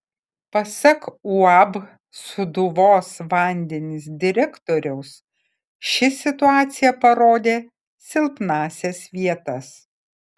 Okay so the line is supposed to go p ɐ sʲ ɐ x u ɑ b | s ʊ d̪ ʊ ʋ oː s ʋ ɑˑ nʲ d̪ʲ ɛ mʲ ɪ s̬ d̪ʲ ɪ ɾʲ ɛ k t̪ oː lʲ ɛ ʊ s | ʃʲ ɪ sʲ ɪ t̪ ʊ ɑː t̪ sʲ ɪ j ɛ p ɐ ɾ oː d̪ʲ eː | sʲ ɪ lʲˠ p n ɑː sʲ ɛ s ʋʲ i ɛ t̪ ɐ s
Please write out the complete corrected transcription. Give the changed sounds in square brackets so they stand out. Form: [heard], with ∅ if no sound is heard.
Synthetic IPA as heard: p ɐ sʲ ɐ [k] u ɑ b | s ʊ d̪ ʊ ʋ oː s ʋ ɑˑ nʲ d̪ʲ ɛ [nʲ] ɪ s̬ d̪ʲ ɪ ɾʲ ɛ k t̪ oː [ɾʲ] ɛ ʊ s | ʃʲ ɪ sʲ ɪ t̪ ʊ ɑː t̪ sʲ ɪ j ɛ p ɐ ɾ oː d̪ʲ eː | sʲ ɪ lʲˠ p n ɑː sʲ ɛ s ʋʲ i ɛ t̪ ɐ s